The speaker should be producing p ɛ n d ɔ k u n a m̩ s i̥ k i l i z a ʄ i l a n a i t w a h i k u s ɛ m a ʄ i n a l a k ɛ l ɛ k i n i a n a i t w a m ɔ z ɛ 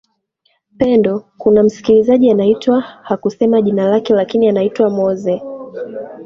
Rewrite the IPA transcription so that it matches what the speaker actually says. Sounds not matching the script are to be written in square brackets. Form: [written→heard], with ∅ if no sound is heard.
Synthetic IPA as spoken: p ɛ n d ɔ k u n a m̩ s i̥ k i l i z a ʄ i [l→∅] a n a i t w a h [i→a] k u s ɛ m a ʄ i n a l a k ɛ l [ɛ→a] k i n i a n a i t w a m ɔ z ɛ